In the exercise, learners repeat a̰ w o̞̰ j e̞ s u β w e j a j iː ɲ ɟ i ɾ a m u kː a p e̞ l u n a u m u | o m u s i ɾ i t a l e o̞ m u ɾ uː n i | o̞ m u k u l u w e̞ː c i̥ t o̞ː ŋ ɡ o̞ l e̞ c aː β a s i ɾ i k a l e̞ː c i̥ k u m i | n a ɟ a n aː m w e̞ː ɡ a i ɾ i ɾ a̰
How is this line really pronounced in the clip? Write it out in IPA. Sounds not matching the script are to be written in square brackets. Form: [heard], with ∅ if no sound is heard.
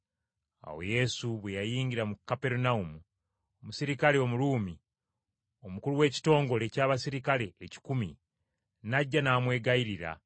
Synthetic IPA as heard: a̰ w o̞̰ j e̞ s u β w e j a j iː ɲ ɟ i ɾ a m u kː a p e̞ [ɾ] u n a u m u | o m u s i ɾ i [k] a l e o̞ m u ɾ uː [m] i | o̞ m u k u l u w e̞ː c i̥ t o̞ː ŋ ɡ o̞ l e̞ c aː β a s i ɾ i k a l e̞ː c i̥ k u m i | n a [ɟː] a n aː m w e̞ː ɡ a i ɾ i ɾ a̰